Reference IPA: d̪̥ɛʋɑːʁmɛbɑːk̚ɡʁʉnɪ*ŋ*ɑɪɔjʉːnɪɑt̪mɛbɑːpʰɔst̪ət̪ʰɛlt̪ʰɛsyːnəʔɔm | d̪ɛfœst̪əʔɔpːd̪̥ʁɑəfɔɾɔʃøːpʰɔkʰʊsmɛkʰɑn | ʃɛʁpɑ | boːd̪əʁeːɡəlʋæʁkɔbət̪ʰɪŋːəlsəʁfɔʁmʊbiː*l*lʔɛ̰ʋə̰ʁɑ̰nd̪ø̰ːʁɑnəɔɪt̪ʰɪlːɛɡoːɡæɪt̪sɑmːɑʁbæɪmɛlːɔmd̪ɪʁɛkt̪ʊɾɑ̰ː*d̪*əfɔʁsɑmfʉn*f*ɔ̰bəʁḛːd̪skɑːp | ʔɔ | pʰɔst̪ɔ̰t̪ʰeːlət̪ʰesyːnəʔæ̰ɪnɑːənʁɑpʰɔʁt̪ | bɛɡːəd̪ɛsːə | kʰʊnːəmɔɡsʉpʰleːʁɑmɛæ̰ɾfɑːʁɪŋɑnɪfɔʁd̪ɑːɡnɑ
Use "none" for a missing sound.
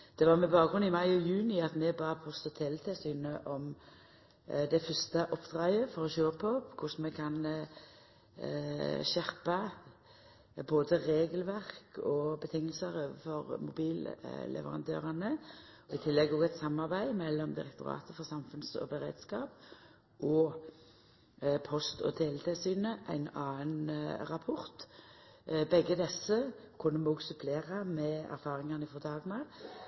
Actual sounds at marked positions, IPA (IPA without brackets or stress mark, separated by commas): m, l, t̪, s